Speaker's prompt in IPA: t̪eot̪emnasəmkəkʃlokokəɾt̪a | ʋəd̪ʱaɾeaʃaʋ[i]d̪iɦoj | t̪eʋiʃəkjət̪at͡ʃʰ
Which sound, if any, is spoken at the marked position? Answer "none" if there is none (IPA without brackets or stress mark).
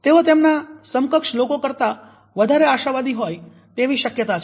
a